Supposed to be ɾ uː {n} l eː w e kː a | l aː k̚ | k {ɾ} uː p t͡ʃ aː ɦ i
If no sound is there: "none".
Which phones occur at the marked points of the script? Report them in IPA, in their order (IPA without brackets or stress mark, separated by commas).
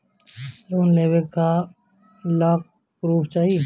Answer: n, ɾ